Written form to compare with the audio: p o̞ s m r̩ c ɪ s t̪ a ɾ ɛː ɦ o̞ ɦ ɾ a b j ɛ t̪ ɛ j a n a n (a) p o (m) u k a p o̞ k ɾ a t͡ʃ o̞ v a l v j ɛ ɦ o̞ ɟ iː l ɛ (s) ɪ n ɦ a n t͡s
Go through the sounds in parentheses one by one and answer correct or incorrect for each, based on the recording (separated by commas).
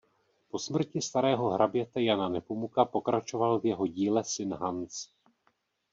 incorrect, correct, correct